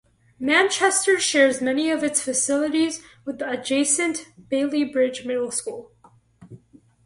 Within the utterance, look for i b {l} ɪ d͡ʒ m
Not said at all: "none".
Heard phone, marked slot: ɹ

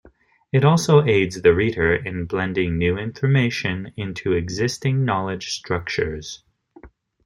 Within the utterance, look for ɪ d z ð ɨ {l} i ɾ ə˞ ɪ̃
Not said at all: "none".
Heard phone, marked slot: ɹ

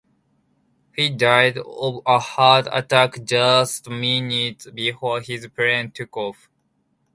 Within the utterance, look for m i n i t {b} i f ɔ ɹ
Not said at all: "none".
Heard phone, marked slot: b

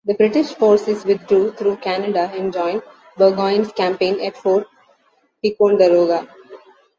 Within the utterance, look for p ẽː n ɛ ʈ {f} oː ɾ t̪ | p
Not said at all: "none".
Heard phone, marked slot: f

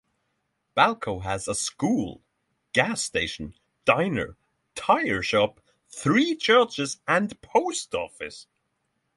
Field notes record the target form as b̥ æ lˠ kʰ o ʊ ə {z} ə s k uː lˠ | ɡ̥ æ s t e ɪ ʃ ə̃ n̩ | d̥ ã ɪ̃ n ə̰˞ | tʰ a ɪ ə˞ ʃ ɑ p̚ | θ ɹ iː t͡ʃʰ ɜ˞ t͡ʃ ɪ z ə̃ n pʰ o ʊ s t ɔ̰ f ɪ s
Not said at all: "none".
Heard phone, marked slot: z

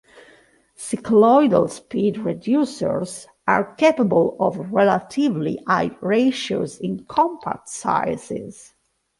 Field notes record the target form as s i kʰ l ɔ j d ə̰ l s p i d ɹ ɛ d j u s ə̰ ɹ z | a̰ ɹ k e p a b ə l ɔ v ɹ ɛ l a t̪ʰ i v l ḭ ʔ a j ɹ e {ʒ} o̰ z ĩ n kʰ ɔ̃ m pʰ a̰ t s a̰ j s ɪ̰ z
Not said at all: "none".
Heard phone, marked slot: ʃ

